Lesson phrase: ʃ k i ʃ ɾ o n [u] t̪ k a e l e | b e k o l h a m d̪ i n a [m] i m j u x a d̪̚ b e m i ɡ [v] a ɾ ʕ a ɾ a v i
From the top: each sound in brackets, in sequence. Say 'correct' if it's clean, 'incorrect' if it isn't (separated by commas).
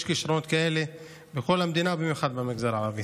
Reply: incorrect, incorrect, incorrect